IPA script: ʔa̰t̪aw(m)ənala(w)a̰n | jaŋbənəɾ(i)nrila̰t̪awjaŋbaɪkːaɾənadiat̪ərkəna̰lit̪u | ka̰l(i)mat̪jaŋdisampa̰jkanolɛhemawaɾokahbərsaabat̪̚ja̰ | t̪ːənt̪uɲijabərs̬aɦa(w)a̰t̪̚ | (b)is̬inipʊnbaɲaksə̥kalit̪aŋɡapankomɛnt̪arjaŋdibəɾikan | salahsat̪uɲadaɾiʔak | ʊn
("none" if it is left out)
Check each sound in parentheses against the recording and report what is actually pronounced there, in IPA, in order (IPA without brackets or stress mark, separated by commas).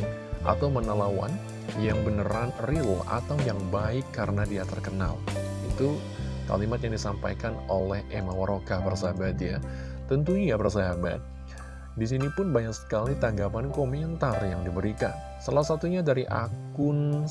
m, w, a, i, b, d